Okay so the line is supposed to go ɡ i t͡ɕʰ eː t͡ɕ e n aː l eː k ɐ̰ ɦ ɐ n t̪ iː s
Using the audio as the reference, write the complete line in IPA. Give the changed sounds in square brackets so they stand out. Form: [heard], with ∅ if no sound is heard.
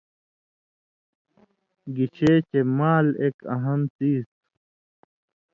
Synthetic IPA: ɡ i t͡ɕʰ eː t͡ɕ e [m] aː l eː k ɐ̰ ɦ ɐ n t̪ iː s